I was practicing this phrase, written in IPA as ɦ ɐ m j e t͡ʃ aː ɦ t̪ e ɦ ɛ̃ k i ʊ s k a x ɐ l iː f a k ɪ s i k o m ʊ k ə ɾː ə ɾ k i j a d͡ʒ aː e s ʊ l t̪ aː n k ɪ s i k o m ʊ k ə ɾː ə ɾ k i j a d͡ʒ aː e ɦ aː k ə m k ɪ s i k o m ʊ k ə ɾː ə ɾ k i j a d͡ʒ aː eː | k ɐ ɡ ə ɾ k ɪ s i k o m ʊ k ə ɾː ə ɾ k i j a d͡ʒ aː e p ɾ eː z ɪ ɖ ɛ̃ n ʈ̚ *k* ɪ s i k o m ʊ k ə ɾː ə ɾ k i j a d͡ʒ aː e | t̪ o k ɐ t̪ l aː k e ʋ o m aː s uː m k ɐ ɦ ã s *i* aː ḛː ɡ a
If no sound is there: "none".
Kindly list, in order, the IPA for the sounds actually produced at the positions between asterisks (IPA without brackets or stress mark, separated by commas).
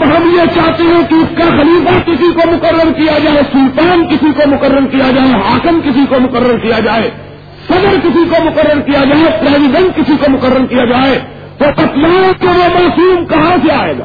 k, e